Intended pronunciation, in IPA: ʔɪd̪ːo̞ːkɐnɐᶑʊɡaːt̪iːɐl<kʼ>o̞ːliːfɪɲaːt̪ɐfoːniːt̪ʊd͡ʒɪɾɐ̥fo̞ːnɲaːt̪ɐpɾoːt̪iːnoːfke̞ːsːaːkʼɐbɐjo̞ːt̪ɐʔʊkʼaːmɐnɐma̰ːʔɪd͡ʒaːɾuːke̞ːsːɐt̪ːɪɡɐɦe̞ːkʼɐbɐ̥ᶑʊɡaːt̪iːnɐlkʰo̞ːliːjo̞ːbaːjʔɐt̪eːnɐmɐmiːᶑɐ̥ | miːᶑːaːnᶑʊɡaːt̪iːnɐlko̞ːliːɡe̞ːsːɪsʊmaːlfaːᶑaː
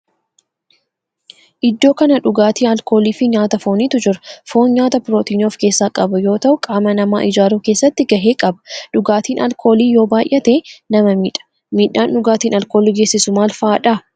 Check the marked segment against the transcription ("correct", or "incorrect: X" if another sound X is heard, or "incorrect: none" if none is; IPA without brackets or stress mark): incorrect: k